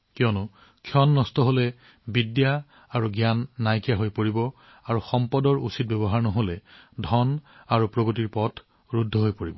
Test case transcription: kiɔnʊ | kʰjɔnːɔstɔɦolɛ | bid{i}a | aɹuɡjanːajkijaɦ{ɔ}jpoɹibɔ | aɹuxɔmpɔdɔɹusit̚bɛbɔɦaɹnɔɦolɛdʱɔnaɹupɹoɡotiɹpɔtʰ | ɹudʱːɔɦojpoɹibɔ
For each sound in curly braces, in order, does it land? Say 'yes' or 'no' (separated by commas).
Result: no, no